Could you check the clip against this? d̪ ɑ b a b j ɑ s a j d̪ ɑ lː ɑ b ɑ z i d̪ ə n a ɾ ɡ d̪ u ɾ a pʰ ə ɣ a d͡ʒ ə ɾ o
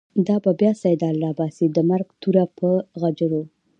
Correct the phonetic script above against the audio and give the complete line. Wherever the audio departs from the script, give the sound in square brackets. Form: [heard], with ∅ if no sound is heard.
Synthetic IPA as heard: d̪ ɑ b a b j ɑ s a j d̪ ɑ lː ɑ b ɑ [s] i d̪ ə [m] a ɾ ɡ [t̪] u ɾ a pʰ ə ɣ a d͡ʒ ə ɾ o